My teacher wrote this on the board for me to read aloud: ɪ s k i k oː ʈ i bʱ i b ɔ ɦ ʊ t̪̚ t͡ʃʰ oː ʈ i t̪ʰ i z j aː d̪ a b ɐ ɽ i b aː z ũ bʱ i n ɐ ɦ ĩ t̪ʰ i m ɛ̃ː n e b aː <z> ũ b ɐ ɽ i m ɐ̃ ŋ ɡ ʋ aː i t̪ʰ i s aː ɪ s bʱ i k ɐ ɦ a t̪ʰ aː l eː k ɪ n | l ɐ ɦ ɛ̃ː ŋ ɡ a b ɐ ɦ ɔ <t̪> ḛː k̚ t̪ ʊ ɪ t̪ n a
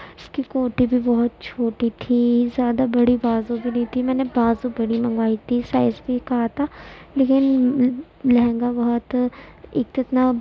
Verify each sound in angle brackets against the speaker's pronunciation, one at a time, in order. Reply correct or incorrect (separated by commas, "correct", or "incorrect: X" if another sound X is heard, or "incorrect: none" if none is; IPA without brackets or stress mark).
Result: correct, correct